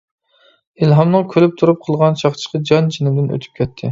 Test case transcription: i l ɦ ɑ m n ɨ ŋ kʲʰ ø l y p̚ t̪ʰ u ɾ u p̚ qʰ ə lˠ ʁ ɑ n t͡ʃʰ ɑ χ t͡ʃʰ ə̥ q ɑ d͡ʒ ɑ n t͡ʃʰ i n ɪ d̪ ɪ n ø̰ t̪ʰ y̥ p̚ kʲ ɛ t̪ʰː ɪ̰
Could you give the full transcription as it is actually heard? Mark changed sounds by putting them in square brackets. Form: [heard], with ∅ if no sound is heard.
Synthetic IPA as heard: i l ɦ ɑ m n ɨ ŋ kʲʰ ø l y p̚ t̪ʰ u ɾ u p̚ qʰ ə lˠ ʁ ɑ n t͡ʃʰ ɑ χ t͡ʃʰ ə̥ q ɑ d͡ʒ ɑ n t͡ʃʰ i n ɪ d̪ ɪ n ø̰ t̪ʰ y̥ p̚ kʲ ɛ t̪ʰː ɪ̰